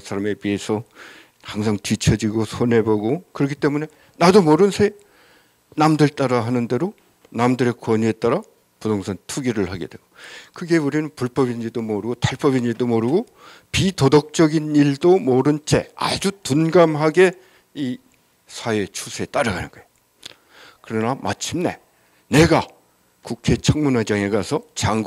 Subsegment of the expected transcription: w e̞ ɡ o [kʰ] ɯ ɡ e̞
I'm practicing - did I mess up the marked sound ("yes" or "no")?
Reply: yes